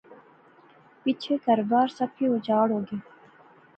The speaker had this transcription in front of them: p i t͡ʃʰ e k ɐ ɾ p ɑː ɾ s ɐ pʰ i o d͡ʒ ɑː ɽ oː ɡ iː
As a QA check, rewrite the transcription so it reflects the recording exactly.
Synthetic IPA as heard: p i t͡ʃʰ e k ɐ ɾ b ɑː ɾ s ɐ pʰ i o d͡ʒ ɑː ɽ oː ɡ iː